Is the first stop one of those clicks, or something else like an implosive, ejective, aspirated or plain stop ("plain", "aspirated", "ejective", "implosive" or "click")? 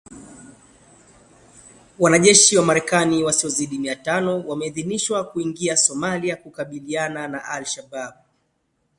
implosive